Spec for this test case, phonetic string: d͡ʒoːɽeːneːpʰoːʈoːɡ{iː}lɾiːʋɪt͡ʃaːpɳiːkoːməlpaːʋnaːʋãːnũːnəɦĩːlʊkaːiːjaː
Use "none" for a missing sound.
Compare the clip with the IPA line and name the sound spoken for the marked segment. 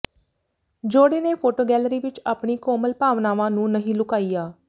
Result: ɛː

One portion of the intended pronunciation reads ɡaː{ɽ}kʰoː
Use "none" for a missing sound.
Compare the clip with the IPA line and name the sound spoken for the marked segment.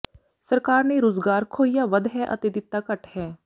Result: ɾ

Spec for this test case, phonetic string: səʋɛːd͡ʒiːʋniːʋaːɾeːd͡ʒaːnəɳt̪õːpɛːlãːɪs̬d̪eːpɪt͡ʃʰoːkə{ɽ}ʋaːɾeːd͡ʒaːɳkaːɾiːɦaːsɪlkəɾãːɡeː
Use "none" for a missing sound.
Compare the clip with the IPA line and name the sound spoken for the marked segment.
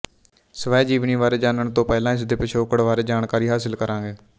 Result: ɽ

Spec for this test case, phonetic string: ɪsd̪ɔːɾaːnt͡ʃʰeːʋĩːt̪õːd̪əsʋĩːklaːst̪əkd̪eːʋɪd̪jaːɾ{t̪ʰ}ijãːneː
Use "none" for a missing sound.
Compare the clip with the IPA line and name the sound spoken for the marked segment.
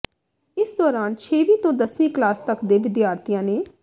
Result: t̪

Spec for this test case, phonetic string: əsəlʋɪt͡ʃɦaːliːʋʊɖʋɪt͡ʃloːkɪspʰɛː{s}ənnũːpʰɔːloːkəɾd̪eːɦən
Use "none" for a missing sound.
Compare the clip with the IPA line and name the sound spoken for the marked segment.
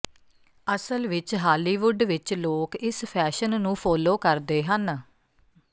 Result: ʃ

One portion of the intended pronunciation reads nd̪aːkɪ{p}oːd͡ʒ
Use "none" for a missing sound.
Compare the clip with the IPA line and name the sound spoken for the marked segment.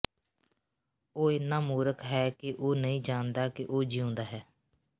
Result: ʔ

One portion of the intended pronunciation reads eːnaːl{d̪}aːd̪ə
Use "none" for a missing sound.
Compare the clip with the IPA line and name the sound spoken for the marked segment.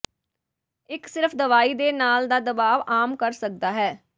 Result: d̪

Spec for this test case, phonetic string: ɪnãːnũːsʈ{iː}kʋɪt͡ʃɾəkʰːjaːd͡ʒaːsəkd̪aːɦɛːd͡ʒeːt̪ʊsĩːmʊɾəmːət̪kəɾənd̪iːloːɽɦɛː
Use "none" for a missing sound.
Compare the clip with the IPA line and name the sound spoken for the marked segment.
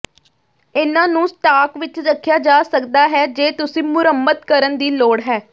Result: aː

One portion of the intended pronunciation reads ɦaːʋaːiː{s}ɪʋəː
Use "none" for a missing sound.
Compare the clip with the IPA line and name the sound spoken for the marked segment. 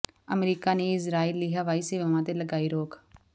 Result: s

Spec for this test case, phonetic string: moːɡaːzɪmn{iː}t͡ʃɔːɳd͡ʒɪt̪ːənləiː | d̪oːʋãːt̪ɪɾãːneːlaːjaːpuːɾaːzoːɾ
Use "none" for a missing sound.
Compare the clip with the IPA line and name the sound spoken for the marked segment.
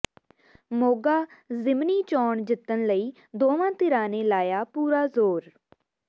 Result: iː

